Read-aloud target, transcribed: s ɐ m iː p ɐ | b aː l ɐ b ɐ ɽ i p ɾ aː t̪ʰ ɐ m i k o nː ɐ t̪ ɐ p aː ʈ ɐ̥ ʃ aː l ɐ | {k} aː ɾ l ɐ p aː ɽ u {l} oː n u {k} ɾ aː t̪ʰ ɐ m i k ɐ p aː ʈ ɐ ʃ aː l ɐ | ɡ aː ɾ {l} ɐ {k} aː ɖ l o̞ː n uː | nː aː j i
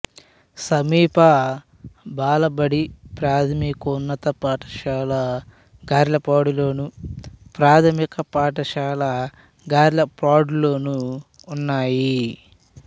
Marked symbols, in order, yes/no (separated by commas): no, yes, no, yes, no